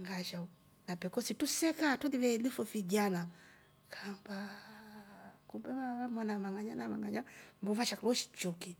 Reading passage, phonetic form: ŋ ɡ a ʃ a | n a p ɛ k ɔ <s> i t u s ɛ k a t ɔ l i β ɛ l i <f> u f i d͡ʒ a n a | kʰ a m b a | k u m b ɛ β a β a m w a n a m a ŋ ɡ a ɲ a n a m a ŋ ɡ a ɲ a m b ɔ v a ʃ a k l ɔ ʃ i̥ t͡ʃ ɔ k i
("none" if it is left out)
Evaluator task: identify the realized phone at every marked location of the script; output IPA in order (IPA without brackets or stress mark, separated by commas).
s, f